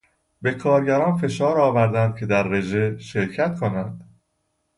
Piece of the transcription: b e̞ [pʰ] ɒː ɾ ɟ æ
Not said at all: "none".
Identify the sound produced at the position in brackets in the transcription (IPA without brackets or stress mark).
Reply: kʰ